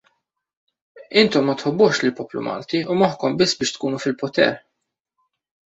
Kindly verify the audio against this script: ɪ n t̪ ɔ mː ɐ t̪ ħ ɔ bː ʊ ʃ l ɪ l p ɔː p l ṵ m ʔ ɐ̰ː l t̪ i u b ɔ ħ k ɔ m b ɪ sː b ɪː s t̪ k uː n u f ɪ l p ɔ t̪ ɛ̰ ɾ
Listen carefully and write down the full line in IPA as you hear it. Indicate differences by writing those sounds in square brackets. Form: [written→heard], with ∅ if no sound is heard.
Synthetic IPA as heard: ɪ n t̪ ɔ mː ɐ t̪ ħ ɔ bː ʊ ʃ l ɪ l p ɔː p l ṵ m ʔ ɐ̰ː l t̪ i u [b→m] ɔ ħ k ɔ m b ɪ sː b ɪː [s→ʃ] t̪ k uː n u f ɪ l p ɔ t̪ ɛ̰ ɾ